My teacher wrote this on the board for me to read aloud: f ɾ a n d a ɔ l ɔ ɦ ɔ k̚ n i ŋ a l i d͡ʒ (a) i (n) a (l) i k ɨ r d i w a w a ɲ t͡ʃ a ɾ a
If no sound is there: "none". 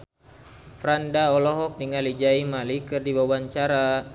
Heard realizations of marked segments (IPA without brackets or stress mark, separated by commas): a, m, l